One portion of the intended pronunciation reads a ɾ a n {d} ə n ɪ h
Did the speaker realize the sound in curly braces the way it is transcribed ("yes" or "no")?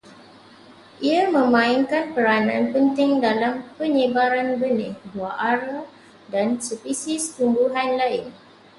no